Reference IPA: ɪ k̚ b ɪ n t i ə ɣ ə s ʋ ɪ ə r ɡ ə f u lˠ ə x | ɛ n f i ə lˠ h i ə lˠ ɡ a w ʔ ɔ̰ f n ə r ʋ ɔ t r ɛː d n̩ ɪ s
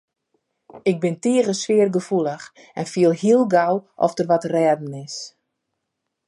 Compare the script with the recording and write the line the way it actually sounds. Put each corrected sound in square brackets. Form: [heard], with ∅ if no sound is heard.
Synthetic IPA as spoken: ɪ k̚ b ɪ n t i ə ɣ ə s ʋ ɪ ə r ɡ ə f u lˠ ə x | ɛ n f i ə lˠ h i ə lˠ ɡ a w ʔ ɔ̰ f [d] ə r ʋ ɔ t r ɛː d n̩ ɪ s